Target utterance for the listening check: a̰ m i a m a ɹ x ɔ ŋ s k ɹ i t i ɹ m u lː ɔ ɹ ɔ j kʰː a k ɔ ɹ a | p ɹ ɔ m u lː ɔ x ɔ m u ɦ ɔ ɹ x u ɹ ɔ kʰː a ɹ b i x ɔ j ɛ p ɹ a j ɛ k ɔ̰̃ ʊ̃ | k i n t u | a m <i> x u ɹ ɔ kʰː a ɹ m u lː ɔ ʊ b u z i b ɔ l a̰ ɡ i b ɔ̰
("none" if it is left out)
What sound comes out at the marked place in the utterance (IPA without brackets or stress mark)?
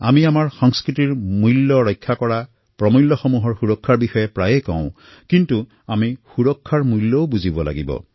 i